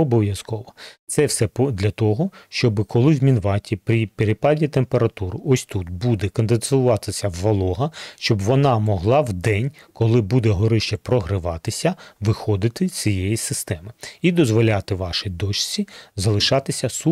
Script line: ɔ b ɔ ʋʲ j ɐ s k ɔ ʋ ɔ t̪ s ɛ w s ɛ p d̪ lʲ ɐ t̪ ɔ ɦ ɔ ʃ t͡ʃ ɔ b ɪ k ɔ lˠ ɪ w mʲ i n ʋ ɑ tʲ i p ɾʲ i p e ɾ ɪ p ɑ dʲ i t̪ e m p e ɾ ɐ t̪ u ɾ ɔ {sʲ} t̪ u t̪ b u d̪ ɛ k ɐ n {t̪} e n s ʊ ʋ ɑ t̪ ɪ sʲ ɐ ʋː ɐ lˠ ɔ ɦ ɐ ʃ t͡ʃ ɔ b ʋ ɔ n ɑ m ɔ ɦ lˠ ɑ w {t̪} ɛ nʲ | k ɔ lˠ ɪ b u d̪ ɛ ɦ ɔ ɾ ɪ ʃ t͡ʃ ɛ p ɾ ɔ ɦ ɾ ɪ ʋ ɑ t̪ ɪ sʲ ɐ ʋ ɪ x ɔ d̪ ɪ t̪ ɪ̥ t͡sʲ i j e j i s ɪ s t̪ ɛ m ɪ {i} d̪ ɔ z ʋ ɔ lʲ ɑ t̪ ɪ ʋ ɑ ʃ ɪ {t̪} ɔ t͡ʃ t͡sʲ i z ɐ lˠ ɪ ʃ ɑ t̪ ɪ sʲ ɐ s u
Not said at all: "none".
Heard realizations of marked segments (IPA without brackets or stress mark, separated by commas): sʲ, d̪, d̪, i, d̪